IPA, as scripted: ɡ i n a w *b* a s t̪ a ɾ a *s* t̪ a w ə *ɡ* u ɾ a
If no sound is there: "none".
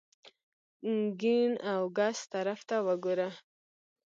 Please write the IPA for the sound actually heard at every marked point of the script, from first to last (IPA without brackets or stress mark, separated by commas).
ɡ, f, ɡ